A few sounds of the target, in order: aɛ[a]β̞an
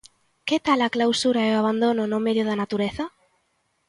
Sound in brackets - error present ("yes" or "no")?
no